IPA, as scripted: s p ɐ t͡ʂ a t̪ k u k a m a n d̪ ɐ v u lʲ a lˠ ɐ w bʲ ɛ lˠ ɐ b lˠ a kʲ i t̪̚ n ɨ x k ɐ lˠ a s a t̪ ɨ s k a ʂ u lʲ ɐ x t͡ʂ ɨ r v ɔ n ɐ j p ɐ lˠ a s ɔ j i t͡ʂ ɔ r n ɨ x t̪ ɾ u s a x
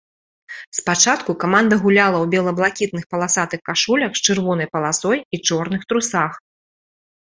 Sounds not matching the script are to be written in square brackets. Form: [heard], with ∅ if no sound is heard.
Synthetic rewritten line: s p [a] t͡ʂ a t̪ k u k a m a n d̪ ɐ [ɣ] u lʲ a lˠ ɐ w bʲ ɛ lˠ ɐ b lˠ a kʲ i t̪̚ n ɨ x [p] ɐ lˠ a s a t̪ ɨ [x] k a ʂ u lʲ ɐ x t͡ʂ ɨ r v ɔ n ɐ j p ɐ lˠ a s ɔ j i t͡ʂ ɔ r n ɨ x t̪ ɾ u s a x